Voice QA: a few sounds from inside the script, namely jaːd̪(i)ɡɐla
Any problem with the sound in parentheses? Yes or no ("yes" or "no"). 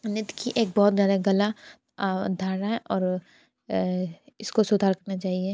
yes